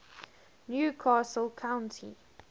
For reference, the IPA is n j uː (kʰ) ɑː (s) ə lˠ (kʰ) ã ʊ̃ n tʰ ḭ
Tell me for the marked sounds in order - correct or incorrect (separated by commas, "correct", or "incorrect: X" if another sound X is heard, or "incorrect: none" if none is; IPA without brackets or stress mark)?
correct, correct, correct